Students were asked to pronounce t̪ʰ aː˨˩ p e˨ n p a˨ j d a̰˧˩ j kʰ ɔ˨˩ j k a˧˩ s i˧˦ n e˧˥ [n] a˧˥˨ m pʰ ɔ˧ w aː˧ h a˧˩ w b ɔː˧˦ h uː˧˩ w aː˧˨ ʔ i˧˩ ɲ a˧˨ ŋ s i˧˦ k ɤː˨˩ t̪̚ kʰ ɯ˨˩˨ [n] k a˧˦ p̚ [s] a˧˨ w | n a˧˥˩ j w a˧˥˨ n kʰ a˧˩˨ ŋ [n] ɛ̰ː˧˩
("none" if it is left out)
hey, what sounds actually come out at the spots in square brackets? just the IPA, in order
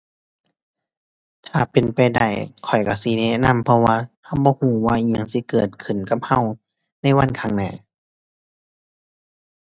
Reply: n, n, h, n

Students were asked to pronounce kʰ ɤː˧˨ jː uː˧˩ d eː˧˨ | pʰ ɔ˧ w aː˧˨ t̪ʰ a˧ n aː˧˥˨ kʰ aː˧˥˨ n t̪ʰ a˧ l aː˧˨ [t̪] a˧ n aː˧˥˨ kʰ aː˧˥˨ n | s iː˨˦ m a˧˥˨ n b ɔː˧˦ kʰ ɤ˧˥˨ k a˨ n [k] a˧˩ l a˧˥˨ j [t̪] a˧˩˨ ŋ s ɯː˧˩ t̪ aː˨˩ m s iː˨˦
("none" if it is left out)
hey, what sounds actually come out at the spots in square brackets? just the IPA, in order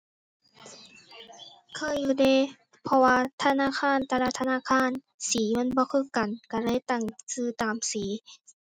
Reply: t̪ʰ, k, t̪

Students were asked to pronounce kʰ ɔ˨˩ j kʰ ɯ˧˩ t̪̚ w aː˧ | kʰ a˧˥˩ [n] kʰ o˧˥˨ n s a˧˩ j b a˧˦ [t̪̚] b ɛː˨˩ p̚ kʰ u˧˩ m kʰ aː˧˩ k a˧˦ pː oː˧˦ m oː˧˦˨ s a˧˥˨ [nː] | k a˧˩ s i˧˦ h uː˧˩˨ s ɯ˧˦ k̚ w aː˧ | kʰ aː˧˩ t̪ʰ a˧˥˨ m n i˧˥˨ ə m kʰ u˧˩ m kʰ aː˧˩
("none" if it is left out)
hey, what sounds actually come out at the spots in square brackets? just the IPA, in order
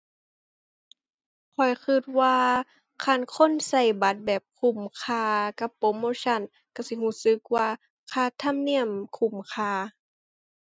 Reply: n, t̪̚, n

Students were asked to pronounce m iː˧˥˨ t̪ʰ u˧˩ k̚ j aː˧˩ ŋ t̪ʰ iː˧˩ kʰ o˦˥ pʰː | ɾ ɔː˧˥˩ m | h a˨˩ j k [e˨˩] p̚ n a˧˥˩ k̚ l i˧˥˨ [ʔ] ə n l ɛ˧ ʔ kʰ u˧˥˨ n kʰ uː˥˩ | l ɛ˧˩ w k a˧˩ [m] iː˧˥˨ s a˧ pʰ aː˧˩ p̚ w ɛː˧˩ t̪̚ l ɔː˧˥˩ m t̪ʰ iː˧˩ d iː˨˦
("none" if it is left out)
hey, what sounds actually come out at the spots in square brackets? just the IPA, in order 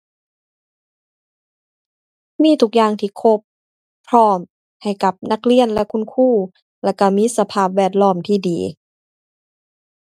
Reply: a˨˩, none, m

